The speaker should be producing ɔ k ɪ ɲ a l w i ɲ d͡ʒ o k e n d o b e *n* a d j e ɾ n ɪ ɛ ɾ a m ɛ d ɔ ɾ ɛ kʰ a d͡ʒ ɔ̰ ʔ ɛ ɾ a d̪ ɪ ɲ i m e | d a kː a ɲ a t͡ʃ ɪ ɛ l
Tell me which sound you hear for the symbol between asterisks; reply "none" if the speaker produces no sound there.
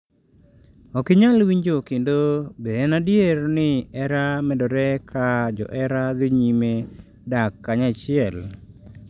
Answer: n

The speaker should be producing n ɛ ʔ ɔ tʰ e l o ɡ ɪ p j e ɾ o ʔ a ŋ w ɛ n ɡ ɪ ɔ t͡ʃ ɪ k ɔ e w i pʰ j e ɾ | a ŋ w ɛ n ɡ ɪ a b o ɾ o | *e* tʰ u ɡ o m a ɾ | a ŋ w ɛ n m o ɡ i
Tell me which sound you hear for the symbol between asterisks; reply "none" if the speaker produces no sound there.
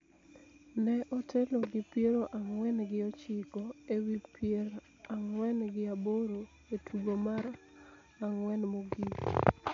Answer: e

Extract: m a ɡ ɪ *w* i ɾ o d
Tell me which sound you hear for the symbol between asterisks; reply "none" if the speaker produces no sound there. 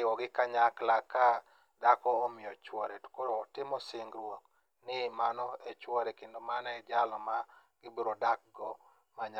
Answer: b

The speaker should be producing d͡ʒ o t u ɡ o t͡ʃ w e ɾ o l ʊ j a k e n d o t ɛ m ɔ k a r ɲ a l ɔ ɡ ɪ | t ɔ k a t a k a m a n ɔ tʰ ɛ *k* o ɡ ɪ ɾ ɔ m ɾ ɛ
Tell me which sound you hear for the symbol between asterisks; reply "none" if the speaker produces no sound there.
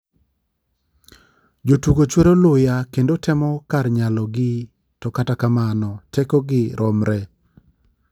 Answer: k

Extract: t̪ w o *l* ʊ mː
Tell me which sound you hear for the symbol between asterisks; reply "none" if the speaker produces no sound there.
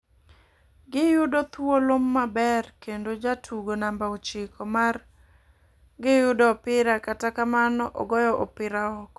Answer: l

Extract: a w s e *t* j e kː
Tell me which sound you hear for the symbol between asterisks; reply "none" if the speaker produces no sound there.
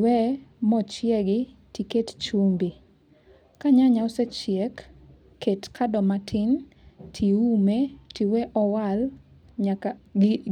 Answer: t͡ʃ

